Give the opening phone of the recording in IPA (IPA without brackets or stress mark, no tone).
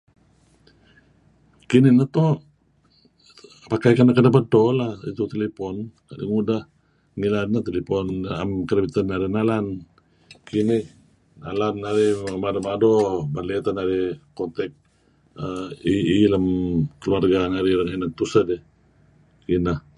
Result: k